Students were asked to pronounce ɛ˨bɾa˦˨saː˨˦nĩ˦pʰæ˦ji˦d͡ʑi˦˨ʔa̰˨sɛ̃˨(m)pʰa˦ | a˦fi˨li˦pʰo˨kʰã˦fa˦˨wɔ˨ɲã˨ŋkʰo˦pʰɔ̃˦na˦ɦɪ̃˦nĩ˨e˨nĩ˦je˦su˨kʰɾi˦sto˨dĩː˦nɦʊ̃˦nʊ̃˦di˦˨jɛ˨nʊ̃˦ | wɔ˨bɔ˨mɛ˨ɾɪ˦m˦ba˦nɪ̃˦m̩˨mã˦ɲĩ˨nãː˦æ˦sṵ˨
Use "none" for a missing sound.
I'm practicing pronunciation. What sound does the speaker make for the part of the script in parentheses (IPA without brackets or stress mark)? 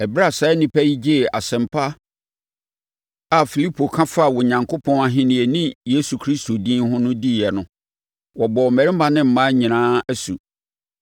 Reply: m